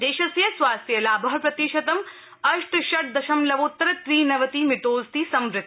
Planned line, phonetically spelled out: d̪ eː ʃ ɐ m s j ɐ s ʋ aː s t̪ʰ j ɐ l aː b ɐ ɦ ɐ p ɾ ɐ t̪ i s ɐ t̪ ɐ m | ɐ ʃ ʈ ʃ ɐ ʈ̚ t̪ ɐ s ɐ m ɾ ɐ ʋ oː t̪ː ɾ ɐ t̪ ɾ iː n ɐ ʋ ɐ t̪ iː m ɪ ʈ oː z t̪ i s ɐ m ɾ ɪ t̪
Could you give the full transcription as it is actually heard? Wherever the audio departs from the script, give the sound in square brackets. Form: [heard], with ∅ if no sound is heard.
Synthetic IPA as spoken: d̪ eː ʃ ɐ [∅] s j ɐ s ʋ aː s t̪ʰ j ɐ l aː b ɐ ɦ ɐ p ɾ ɐ t̪ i [ʃ] ɐ t̪ ɐ m | ɐ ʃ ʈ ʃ ɐ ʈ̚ [d̪] ɐ [ʃ] ɐ m [l] ɐ ʋ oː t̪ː ɾ ɐ t̪ ɾ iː n ɐ ʋ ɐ t̪ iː m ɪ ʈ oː z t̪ i s ɐ m ɾ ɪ t̪